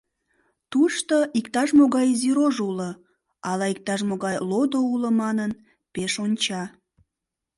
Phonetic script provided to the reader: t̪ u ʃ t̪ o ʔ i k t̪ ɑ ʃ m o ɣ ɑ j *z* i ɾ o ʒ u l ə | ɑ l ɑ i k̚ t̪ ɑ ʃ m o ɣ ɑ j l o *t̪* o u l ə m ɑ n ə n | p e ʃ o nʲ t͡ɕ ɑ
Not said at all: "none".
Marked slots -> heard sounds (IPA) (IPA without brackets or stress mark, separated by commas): z, d̪